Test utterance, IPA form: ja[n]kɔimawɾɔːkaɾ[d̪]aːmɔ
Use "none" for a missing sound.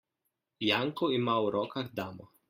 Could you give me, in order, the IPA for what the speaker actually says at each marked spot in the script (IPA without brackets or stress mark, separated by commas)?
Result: ŋ, d̪